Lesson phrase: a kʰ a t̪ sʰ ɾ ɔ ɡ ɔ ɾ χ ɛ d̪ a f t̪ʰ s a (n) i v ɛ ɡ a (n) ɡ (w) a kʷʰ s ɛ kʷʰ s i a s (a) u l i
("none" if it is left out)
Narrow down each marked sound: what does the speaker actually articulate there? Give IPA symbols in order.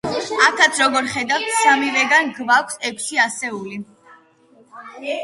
m, n, v, ɛ

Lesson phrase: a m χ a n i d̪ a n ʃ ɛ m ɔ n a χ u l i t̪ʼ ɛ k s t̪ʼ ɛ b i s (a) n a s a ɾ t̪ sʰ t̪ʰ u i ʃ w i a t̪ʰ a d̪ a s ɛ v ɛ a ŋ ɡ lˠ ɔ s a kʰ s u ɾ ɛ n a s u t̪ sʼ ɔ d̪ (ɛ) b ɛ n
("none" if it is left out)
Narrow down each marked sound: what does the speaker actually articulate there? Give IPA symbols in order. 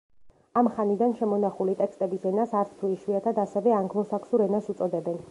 ɛ, ɛ

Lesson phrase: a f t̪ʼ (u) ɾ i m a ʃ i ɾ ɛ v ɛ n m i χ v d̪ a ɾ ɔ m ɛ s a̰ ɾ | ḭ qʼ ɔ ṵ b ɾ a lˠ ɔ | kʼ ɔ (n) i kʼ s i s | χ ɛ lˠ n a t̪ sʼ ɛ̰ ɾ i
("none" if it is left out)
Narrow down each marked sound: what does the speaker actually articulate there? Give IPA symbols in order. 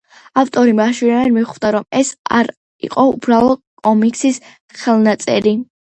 ɔ, m

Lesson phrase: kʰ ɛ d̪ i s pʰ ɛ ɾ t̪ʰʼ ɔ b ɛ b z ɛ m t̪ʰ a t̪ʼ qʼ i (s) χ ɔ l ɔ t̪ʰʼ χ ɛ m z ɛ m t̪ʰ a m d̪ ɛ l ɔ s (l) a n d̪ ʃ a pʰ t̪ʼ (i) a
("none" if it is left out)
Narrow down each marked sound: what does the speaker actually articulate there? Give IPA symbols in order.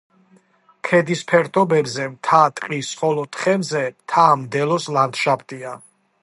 s, l, i

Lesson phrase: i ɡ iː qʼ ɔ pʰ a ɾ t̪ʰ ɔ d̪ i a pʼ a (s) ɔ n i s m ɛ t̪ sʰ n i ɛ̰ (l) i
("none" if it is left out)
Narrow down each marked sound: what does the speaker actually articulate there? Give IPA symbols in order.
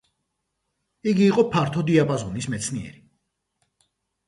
z, ɾ

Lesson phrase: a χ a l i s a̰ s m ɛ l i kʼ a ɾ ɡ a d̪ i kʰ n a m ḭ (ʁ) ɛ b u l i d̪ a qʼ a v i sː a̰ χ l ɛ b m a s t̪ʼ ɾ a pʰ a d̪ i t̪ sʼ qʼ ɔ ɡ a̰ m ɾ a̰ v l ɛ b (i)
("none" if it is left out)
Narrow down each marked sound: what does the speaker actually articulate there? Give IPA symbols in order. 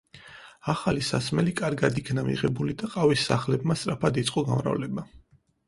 ʁ, a

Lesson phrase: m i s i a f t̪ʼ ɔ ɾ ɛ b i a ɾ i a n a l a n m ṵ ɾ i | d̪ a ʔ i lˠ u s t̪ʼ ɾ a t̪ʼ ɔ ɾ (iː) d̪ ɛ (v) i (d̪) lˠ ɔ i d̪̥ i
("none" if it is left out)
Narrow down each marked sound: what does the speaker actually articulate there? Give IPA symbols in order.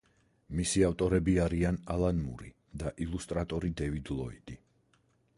i, v, d̪

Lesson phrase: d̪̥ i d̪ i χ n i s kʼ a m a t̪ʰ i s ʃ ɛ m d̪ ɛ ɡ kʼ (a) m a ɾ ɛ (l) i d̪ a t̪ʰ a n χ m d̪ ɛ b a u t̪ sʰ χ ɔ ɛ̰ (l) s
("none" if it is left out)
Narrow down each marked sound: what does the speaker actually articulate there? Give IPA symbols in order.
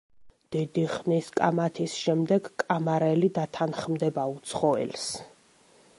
a, l, l

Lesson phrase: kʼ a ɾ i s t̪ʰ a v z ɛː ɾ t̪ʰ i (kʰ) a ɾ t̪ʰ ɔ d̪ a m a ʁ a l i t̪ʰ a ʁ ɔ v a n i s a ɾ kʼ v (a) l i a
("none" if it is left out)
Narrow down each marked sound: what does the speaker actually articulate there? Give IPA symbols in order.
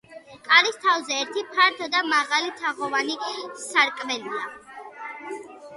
pʰ, ɛ

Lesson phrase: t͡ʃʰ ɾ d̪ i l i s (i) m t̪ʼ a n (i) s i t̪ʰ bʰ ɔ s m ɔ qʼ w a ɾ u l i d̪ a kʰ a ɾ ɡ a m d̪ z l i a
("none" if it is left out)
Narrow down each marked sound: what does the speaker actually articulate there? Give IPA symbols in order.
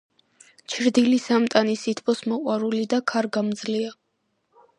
a, i

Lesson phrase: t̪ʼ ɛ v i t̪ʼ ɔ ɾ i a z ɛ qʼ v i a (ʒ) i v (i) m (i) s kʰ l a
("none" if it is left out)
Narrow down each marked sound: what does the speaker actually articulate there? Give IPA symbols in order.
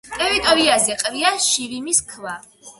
ʃ, i, i

